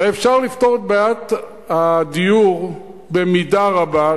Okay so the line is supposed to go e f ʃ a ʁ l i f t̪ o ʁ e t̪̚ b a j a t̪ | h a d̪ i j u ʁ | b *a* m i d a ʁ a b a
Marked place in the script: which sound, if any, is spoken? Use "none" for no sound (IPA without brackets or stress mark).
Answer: e